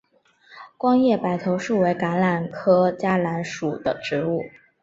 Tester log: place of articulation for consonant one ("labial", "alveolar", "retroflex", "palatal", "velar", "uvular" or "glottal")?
velar